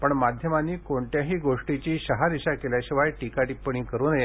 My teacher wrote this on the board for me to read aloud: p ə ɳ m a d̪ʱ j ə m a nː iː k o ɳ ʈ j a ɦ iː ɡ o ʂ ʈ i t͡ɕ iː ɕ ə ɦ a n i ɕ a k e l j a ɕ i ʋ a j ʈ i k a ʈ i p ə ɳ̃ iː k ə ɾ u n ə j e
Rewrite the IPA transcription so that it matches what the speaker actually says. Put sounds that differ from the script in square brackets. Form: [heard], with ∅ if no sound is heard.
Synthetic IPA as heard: p ə ɳ m a d̪ʱ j ə m a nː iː k o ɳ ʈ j a ɦ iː ɡ o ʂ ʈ i t͡ɕ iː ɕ ə ɦ a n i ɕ a k e l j a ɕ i ʋ a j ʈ i k a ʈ i p ə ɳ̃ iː k ə ɾ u n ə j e